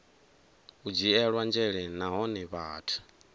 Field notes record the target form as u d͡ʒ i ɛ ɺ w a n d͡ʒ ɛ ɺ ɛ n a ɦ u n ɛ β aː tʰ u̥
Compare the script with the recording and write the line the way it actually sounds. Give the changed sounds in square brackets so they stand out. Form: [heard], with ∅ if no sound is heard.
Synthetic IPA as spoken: u d͡ʒ i ɛ ɺ w a n d͡ʒ ɛ ɺ ɛ n a ɦ [ɔ] n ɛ β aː tʰ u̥